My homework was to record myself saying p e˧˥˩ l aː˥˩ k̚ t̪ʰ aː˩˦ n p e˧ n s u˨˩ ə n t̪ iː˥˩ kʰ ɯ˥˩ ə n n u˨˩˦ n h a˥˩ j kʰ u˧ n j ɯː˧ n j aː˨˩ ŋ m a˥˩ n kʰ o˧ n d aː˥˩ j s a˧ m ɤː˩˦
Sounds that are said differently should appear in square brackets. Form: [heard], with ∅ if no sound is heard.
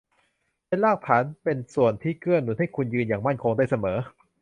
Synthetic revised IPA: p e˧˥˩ l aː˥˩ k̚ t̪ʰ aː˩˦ n p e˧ n s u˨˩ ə n [t̪ʰ] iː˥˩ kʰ ɯ˥˩ ə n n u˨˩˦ n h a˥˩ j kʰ u˧ n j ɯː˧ n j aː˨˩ ŋ m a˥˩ n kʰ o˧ [ŋ] d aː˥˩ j s a˧ m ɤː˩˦